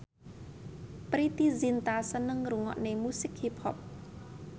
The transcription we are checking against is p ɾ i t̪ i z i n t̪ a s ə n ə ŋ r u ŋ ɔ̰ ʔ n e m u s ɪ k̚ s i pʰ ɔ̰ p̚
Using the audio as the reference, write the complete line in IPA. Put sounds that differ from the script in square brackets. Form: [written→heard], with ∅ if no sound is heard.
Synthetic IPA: p ɾ i t̪ i z i n t̪ a s ə n ə ŋ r u ŋ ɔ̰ ʔ n e m u s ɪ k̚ [s→h] i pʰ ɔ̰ p̚